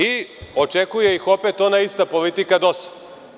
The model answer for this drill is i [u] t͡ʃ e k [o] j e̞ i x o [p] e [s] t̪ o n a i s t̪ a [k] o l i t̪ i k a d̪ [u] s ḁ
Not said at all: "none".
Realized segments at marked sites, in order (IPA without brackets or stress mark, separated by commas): o, u, p, none, p, o